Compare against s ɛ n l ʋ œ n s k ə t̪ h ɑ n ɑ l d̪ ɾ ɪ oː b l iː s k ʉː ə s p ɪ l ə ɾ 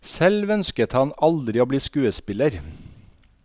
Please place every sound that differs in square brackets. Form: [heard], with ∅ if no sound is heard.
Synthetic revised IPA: s ɛ [∅] l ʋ œ n s k ə t̪ h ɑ n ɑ l d̪ ɾ ɪ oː b l iː s k ʉː ə s p ɪ l ə ɾ

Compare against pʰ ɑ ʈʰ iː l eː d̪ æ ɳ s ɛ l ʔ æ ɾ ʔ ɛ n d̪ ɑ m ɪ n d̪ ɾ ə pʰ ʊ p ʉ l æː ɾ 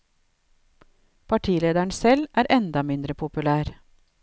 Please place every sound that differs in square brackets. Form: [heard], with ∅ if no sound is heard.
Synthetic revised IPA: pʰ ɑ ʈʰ iː l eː d̪ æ ɳ s ɛ l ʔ [æː] ɾ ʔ ɛ n d̪ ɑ m ɪ n d̪ ɾ ə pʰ ʊ p ʉ l æː ɾ

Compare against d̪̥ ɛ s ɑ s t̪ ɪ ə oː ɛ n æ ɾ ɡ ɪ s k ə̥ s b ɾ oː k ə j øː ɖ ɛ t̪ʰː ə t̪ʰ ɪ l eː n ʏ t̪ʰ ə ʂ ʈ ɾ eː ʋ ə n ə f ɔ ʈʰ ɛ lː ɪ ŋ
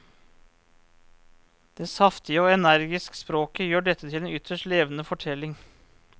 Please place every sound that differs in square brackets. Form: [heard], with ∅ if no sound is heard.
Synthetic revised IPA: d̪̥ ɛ s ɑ [f] t̪ ɪ ə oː ɛ n æ ɾ ɡ ɪ s k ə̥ s [p] ɾ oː k ə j øː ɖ ɛ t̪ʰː ə t̪ʰ ɪ l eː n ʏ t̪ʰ ə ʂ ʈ [l] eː ʋ ə n ə f ɔ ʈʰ ɛ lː ɪ ŋ

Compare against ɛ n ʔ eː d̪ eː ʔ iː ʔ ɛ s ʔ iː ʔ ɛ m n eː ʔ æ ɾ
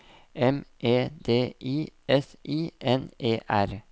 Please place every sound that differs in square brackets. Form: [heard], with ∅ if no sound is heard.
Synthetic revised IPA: ɛ [m] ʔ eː d̪ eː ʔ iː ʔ ɛ s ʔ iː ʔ ɛ [∅] n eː ʔ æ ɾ

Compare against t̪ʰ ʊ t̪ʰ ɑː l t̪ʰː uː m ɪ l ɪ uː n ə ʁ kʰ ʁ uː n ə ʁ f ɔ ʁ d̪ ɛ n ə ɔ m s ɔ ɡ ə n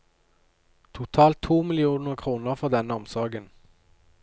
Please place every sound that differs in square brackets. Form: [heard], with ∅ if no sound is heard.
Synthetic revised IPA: t̪ʰ ʊ t̪ʰ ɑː l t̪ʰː uː m ɪ l ɪ uː n ə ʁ kʰ ʁ uː n ə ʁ f ɔ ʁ d̪ ɛ n ə ɔ m s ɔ ɡ ə n

